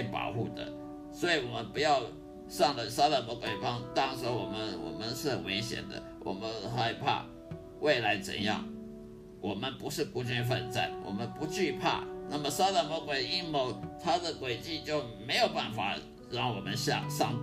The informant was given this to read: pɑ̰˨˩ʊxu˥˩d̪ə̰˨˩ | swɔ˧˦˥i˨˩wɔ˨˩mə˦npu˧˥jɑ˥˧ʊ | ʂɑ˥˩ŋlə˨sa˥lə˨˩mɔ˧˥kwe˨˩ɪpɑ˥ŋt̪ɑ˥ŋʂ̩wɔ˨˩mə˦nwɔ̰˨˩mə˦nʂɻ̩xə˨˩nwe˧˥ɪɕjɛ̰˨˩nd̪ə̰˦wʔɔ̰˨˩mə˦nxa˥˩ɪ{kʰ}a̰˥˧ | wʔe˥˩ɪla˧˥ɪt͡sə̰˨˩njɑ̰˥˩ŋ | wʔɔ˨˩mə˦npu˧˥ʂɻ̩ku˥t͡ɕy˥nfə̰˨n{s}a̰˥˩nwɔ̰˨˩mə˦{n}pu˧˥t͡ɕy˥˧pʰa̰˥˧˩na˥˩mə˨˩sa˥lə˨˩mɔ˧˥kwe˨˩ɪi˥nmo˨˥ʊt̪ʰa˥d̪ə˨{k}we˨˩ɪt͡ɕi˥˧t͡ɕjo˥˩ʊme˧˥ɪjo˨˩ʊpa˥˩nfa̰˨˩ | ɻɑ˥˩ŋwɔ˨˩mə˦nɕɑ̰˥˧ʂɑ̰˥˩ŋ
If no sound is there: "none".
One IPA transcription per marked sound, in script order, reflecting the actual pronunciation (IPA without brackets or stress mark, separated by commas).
pʰ, t͡s, n, k